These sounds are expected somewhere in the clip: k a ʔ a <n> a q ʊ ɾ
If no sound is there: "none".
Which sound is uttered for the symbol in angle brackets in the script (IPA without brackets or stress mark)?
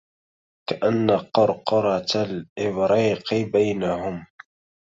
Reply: nː